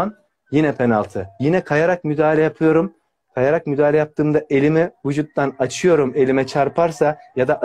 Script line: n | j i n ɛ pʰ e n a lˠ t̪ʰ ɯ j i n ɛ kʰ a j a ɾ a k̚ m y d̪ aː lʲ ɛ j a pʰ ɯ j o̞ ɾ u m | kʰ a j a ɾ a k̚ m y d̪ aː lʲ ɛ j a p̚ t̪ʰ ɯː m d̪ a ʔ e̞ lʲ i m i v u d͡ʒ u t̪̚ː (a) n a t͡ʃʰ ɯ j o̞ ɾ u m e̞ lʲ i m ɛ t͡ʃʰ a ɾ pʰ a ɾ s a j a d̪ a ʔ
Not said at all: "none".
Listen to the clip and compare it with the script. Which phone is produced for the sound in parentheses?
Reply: a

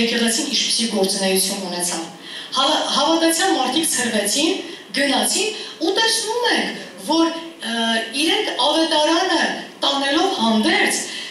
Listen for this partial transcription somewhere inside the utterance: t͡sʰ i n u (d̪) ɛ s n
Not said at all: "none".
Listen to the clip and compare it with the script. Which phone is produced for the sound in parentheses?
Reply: t̪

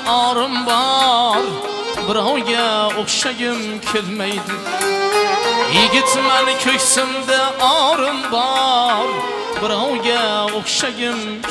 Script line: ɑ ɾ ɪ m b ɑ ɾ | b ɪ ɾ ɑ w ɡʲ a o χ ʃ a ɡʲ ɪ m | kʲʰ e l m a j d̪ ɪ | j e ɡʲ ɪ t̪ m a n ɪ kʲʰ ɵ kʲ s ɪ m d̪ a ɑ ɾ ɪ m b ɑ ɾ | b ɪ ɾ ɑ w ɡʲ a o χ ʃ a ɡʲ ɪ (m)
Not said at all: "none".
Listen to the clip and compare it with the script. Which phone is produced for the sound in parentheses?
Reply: m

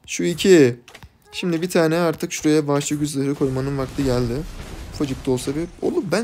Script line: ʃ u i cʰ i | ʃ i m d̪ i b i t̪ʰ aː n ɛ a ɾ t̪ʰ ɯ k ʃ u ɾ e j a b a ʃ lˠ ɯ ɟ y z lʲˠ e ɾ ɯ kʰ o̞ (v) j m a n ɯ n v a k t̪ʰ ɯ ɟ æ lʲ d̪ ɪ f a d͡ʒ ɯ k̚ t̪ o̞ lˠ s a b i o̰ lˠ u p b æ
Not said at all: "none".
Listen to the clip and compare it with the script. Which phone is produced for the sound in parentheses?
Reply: none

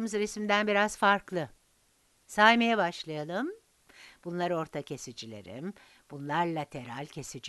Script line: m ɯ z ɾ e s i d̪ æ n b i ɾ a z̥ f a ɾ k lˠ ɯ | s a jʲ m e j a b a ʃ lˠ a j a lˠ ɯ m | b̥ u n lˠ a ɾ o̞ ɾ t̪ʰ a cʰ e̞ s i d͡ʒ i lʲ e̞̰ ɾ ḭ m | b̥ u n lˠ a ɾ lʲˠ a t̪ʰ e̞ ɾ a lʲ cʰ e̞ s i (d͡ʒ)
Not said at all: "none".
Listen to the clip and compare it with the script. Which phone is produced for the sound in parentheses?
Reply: d͡ʒ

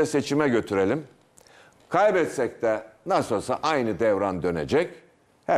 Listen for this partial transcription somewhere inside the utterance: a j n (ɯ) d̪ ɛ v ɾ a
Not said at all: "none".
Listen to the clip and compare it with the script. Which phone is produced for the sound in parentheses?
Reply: ɯ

